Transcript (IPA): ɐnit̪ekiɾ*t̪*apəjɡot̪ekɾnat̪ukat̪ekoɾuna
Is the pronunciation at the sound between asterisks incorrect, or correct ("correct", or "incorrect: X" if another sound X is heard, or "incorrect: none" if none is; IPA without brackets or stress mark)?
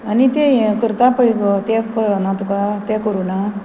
correct